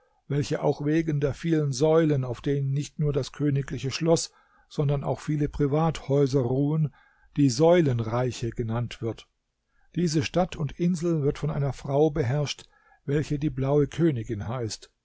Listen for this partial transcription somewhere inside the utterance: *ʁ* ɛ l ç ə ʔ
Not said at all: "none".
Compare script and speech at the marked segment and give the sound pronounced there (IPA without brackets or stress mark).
v